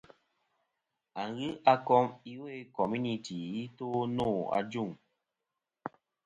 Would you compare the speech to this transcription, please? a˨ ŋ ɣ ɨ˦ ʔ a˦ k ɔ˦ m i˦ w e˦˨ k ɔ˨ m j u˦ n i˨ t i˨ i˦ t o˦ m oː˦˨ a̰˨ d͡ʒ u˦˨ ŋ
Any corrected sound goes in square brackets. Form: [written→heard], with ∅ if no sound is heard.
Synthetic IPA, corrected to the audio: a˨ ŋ ɣ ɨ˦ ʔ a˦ k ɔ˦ m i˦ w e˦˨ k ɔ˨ m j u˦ n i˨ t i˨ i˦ t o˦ [m→n] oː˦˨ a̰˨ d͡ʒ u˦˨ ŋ